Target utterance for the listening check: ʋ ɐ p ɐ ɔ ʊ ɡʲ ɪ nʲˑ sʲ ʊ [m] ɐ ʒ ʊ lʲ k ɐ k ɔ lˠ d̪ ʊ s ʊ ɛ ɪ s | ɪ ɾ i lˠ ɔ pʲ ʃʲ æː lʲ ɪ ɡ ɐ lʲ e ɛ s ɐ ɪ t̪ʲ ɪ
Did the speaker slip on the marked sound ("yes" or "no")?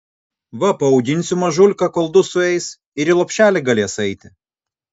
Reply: no